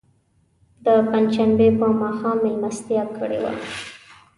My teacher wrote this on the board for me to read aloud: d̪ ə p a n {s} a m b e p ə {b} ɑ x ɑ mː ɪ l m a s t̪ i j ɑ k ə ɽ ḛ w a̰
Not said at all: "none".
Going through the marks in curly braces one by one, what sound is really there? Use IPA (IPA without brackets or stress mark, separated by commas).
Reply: ʃ, m